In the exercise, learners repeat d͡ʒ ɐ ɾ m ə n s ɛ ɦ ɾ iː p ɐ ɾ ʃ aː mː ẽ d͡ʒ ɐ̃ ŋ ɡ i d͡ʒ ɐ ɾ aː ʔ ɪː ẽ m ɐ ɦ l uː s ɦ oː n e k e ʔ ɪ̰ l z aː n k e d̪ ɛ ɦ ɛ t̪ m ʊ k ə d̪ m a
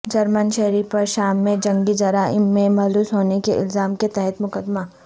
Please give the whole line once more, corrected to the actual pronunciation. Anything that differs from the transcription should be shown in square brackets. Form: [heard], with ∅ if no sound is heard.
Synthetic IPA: d͡ʒ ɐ ɾ m ə n [ʃ] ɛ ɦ ɾ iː p ɐ ɾ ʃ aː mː ẽ d͡ʒ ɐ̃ ŋ ɡ i d͡ʒ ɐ ɾ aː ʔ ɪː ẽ m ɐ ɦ l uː s ɦ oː n e k e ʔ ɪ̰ l z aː [m] k e [t̪] ɛ ɦ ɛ t̪ m ʊ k ə d̪ m a